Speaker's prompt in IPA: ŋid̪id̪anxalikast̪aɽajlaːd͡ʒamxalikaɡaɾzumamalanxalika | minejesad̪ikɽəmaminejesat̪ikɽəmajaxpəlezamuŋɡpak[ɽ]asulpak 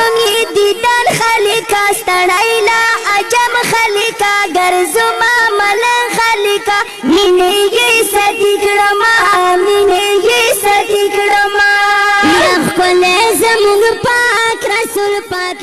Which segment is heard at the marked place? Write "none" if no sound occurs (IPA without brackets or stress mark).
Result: ɾ